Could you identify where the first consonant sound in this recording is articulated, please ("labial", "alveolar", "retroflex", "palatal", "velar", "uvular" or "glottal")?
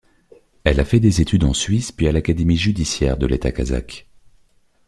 alveolar